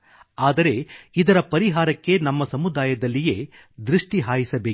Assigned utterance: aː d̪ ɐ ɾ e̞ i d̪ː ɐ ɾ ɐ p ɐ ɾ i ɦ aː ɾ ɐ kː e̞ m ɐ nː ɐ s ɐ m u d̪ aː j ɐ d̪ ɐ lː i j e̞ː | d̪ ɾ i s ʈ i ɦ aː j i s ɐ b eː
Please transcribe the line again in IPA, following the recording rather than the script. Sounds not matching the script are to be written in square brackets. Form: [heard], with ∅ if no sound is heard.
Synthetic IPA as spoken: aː d̪ ɐ ɾ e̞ i [d̪] ɐ ɾ ɐ p ɐ ɾ i ɦ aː ɾ ɐ kː e̞ [n] ɐ [mː] ɐ s ɐ m u d̪ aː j ɐ d̪ ɐ lː i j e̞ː | d̪ ɾ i [ʂ] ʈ i ɦ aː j i s ɐ b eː